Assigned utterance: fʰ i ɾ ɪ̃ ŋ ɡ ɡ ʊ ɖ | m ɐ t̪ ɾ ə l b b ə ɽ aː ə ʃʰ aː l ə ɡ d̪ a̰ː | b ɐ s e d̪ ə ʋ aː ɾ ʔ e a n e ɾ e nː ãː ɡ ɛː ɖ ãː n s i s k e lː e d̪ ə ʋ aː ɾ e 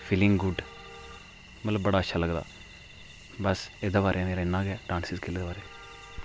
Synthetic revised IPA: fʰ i l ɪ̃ ŋ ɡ ɡ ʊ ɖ | m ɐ t̪ l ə b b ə ɽ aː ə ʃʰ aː l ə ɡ d̪ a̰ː | b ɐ s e d̪ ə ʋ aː ɾ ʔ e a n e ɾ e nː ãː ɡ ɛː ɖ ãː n s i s k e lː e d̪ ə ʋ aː ɾ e